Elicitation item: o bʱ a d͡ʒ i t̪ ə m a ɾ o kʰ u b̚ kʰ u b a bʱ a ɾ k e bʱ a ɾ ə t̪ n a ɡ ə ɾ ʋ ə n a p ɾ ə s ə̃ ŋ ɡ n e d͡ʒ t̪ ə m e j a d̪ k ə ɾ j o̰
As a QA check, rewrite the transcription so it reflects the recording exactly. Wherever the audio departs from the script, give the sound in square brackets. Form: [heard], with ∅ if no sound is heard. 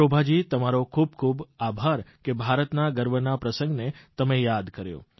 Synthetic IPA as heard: o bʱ a d͡ʒ i t̪ ə m a ɾ o kʰ u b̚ kʰ u b a bʱ a ɾ k e bʱ a ɾ ə t̪ n a ɡ ə ɾ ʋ ə n a p ɾ ə s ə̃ ŋ ɡ n e [∅] t̪ ə m e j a d̪ k ə ɾ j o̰